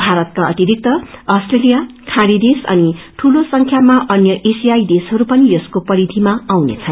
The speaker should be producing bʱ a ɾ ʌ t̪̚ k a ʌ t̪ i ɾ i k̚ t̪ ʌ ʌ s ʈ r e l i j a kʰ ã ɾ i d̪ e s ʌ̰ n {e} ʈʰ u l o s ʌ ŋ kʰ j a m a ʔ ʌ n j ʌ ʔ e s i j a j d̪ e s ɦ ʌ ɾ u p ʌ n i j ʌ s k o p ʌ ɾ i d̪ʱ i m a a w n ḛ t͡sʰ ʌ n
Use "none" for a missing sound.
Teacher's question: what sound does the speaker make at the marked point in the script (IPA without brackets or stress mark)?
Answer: i